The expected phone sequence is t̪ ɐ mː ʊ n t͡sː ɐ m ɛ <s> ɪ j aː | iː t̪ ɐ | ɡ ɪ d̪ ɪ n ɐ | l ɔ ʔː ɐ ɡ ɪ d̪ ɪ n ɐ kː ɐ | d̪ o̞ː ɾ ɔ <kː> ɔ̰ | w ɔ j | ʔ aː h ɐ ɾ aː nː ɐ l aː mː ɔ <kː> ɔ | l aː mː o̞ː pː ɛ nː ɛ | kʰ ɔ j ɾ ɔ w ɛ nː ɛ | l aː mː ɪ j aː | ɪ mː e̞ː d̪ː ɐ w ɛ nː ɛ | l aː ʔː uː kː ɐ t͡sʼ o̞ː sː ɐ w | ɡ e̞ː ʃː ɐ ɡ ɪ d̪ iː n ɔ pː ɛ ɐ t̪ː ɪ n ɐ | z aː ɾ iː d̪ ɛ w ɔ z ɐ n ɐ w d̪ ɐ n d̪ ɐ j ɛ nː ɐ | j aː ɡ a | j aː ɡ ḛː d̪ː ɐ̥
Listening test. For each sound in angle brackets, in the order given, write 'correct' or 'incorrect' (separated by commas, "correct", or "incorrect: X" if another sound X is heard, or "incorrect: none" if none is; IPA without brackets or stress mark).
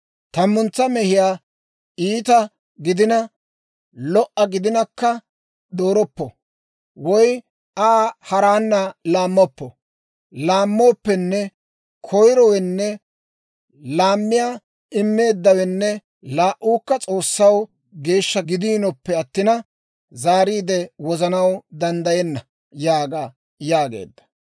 incorrect: h, incorrect: pː, incorrect: pː